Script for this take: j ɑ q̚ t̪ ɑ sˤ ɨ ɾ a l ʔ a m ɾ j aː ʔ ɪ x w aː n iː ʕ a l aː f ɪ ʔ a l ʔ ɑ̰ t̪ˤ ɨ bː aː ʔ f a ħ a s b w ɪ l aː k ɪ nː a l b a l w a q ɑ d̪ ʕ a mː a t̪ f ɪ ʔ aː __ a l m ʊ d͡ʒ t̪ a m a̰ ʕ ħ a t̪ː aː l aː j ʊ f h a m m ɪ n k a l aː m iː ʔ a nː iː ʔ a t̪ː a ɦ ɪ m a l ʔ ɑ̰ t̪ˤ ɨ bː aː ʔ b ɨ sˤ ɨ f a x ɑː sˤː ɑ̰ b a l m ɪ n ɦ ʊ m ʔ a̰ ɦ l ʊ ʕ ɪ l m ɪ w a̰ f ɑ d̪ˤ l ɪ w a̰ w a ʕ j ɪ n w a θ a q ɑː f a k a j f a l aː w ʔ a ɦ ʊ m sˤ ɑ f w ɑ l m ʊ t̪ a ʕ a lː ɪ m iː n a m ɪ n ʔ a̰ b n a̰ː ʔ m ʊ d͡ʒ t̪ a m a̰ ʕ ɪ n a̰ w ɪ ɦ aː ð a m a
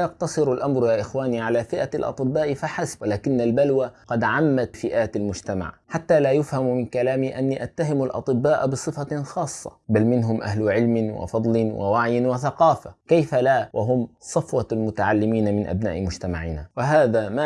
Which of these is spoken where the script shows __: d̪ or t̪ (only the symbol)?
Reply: t̪